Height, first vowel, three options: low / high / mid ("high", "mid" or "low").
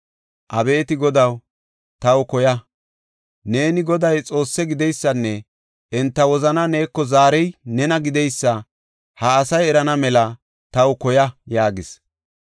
low